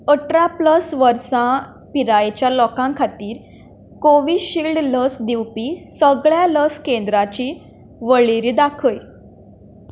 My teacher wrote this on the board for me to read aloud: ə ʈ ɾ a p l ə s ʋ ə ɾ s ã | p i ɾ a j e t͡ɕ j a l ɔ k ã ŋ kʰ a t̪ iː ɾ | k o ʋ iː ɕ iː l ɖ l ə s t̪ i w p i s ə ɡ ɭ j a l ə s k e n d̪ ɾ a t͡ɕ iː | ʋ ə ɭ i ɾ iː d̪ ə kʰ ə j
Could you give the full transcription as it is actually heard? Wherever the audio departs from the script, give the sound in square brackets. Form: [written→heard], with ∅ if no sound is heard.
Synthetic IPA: ə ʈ ɾ a p l ə s ʋ ə ɾ s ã | p i ɾ a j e t͡ɕ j a l ɔ k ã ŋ kʰ a t̪ iː ɾ | k o ʋ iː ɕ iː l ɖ l ə s [t̪→d̪] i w p i s ə ɡ ɭ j a l ə s k e n d̪ ɾ a t͡ɕ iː | ʋ ə ɭ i ɾ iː d̪ [ə→a] kʰ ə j